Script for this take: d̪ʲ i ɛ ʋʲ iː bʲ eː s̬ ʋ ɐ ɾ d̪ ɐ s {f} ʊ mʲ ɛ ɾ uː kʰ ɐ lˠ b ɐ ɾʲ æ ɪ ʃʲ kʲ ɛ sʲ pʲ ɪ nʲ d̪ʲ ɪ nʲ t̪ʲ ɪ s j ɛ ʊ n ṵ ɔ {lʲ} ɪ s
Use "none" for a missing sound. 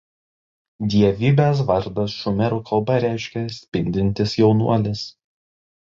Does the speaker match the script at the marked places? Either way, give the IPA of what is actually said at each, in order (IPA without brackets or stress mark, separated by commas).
ʃ, lʲ